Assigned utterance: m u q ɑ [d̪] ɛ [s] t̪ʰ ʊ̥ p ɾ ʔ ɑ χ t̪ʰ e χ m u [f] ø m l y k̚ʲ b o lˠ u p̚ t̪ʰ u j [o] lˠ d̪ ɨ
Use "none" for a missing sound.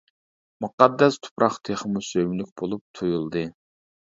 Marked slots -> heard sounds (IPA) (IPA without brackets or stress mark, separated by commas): d̪ː, s, s, u